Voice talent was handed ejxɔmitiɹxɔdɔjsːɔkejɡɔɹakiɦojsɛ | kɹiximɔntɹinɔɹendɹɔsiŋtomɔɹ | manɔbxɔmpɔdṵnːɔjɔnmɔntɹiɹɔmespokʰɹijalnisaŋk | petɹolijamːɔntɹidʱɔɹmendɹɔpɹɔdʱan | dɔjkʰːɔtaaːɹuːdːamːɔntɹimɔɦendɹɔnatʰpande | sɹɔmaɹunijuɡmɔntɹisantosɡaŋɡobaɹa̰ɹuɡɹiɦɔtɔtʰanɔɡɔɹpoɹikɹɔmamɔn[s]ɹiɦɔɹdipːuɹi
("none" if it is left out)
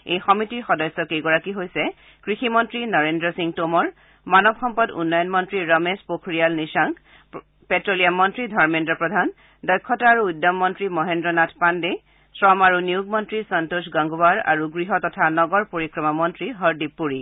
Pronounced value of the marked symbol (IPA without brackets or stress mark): t